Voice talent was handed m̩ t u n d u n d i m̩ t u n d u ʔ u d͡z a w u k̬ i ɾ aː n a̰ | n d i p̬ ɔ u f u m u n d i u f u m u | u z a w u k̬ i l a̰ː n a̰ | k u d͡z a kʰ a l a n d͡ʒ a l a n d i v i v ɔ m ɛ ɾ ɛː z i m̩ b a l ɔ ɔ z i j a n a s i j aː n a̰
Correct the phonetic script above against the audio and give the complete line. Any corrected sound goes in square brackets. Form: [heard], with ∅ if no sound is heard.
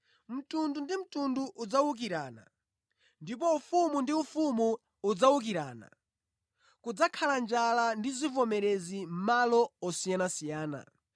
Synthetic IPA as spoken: m̩ t u n d u n d i m̩ t u n d u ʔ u d͡z a w u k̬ i ɾ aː n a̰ | n d i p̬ ɔ u f u m u n d i u f u m u | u [d͡z] a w u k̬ i [ɾ] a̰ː n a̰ | k u d͡z a kʰ a l a n d͡ʒ a l a n d i [z] i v ɔ m ɛ ɾ [ɛ] z i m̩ [m] a l ɔ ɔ [s] i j a n a s i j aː n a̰